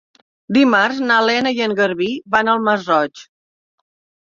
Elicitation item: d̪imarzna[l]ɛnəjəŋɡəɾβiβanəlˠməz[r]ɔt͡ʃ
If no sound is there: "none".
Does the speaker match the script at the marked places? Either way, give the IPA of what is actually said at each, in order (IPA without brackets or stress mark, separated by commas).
l, r